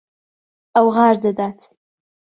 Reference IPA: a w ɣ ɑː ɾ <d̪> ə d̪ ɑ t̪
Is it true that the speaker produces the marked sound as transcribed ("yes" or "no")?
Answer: yes